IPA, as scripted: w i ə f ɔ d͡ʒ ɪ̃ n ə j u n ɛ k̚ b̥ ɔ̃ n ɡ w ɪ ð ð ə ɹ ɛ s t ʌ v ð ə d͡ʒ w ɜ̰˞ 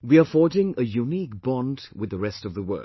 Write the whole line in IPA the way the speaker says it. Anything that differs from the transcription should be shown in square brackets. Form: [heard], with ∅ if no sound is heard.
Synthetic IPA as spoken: w i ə f ɔ d͡ʒ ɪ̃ [ŋ] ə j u n [i] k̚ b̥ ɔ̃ n [d] w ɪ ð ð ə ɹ ɛ s t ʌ v ð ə [∅] w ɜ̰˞